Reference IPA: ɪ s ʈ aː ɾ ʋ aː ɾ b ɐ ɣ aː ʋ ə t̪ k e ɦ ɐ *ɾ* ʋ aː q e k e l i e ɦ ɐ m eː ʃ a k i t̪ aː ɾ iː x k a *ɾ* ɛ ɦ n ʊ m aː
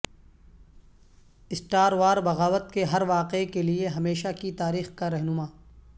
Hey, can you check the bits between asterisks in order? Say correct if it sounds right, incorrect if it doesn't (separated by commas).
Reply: correct, correct